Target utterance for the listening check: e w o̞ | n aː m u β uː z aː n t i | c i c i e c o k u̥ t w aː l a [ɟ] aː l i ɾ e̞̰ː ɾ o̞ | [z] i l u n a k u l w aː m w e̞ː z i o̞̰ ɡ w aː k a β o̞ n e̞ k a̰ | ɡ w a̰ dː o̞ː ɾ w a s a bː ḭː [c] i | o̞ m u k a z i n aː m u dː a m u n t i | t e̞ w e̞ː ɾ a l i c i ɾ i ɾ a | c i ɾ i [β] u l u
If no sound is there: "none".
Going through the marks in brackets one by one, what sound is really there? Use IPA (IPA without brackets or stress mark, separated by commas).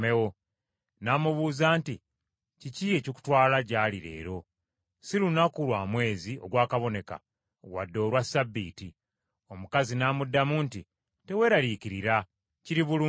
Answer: ɟ, s, t, β